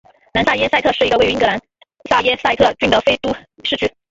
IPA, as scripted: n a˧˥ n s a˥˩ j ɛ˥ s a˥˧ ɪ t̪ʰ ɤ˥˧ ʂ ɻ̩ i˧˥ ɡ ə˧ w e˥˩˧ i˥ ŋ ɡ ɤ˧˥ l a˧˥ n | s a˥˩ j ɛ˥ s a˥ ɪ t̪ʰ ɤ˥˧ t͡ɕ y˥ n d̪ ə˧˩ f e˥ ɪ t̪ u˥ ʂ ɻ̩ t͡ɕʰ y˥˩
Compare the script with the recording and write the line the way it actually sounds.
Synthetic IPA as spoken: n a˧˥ n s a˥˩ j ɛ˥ s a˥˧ ɪ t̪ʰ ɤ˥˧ ʂ ɻ̩ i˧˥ ɡ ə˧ w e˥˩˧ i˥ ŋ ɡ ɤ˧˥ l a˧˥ n | s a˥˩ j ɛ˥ s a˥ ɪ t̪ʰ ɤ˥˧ t͡ɕ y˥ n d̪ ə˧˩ f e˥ ɪ t̪ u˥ ʂ ɻ̩ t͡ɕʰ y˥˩